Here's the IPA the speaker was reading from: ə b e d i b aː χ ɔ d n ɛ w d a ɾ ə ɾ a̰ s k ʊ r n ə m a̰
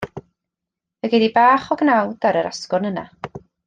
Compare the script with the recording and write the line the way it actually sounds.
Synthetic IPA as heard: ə ɡ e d i b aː χ ɔ ɡ n a w d a ɾ ə ɾ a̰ s k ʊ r n ə n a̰